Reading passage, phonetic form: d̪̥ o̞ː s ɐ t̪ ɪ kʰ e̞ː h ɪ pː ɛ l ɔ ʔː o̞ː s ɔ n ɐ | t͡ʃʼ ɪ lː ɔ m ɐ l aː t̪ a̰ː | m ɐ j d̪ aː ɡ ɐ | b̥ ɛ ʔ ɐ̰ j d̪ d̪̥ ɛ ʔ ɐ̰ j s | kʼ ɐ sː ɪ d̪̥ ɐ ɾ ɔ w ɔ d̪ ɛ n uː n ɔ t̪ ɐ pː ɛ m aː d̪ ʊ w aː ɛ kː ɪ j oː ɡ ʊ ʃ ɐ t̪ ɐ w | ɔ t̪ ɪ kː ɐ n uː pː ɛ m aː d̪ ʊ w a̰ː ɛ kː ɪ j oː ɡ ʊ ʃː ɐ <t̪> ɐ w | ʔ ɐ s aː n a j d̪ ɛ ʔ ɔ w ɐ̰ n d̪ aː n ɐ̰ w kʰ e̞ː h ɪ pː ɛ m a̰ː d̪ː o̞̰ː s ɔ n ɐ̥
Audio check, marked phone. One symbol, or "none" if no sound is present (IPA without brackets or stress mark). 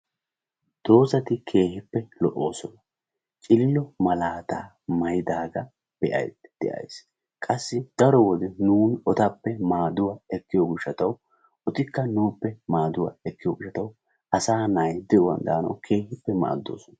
t̪